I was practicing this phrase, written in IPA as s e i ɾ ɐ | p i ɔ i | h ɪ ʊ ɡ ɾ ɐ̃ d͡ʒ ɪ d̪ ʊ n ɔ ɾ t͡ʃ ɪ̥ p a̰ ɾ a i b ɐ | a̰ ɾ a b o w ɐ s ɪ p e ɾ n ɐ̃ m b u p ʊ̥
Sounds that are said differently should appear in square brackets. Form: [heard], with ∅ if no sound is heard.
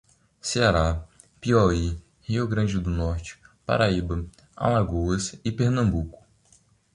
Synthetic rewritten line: s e [a] ɾ [a] | p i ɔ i | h [i] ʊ ɡ ɾ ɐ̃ d͡ʒ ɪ d̪ ʊ n ɔ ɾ t͡ʃ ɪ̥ p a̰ ɾ a i b ɐ | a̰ [l] a [ɡ] o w ɐ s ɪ p e ɾ n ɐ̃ m b u [k] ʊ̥